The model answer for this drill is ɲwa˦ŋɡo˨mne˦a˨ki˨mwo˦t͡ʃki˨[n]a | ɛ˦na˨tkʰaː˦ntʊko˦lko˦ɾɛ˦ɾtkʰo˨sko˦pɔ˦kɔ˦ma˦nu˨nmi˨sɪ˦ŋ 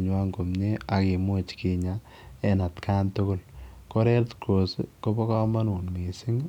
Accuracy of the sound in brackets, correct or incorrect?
incorrect